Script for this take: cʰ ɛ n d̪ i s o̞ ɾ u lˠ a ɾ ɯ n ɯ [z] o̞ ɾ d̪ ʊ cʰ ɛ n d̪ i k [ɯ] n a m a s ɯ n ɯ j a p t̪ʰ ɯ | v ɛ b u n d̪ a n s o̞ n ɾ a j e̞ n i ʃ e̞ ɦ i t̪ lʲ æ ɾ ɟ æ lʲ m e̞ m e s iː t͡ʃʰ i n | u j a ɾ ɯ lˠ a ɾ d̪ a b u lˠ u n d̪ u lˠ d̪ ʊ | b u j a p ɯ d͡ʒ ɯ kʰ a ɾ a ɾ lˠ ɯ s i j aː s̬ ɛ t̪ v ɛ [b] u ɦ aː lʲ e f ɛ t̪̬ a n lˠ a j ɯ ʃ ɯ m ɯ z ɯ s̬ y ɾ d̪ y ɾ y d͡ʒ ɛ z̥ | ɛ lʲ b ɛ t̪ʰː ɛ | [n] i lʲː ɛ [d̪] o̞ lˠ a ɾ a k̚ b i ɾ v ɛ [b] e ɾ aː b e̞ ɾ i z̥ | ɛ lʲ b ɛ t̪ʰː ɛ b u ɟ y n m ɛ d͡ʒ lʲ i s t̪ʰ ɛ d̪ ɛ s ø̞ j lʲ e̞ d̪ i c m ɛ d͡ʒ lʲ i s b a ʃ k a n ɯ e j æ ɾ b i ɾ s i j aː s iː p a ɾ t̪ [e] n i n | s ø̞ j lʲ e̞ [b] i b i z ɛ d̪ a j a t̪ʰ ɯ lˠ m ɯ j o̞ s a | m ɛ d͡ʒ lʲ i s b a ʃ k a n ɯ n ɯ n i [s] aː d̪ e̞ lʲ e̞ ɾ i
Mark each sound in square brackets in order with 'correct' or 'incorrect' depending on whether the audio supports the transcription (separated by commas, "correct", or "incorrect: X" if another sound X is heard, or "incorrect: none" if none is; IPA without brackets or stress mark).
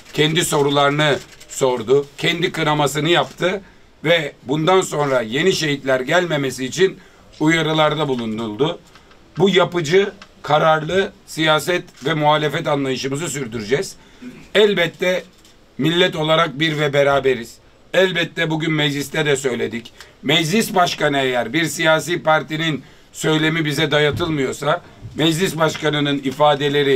incorrect: s, correct, incorrect: m, incorrect: m, incorrect: t̪, correct, incorrect: i, incorrect: m, incorrect: f